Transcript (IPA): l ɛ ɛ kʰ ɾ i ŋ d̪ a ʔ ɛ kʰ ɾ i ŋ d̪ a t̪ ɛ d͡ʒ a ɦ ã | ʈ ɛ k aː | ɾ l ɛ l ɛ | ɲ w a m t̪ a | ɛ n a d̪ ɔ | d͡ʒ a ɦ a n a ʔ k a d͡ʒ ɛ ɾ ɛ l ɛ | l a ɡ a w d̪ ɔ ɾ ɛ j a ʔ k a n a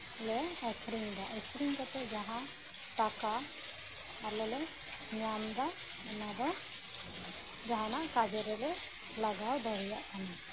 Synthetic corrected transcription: l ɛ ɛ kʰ ɾ i ŋ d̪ a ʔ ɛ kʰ ɾ i ŋ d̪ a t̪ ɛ d͡ʒ a ɦ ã | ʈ a k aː | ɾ l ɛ l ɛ | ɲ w a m d̪ a | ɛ n a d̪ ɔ | d͡ʒ a ɦ a n a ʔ k a d͡ʒ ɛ ɾ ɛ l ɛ | l a ɡ a w d̪ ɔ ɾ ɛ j a ʔ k a n a